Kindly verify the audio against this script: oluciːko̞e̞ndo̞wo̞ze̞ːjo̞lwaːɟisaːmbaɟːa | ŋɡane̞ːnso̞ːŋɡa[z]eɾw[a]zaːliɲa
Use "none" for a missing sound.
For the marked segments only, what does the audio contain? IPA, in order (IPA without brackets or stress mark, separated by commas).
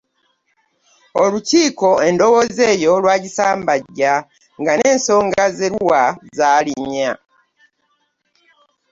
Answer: z, a